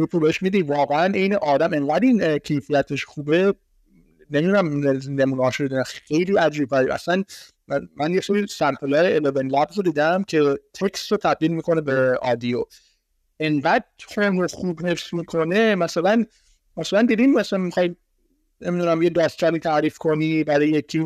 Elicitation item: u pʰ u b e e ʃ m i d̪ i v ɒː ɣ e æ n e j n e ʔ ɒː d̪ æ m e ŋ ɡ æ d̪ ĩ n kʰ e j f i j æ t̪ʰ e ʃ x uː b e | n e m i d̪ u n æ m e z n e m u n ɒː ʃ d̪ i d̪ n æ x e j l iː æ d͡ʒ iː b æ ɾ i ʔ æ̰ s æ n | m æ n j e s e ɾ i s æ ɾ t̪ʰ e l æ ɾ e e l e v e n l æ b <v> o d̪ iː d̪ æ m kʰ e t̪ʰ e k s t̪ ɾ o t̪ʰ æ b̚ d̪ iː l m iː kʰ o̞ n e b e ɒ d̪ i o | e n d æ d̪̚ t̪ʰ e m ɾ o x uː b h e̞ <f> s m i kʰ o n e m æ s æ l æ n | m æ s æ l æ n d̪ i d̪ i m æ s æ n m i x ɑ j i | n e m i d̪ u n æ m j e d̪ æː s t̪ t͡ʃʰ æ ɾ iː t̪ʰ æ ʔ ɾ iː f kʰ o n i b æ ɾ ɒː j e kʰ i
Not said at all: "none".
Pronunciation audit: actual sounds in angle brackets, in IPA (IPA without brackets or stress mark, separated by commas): z, f